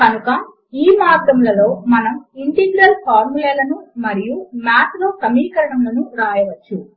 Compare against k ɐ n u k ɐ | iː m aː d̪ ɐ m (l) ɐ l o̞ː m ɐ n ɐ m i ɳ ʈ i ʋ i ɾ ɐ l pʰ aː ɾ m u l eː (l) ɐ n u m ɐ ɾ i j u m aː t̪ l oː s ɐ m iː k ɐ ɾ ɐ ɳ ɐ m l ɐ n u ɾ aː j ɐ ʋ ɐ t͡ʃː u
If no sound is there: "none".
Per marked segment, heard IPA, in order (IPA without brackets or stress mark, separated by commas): l, l